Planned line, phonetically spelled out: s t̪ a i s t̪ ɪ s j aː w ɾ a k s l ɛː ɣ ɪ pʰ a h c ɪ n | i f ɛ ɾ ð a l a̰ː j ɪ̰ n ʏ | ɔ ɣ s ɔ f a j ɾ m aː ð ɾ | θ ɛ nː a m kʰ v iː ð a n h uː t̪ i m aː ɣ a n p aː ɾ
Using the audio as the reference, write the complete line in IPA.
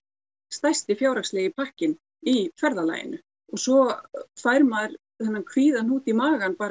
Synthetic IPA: s t̪ a j s t̪ ɪ f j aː w ɾ a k s l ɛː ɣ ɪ pʰ a h c ɪ n | i f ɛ ɾ ð a l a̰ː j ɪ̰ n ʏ | ɔ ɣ s ɔ f a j ɾ m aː ð ɾ | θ ɛ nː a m kʰ v iː ð a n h uː t̪ i m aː ɣ a n p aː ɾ